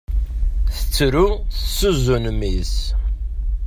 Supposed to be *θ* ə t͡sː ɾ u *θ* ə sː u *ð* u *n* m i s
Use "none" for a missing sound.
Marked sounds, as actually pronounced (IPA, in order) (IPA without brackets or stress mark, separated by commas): θ, θ, z, n